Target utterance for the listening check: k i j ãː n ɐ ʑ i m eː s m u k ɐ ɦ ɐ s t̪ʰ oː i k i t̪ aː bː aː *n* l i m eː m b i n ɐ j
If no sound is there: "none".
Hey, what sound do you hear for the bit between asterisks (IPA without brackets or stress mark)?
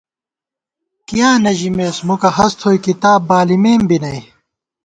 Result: none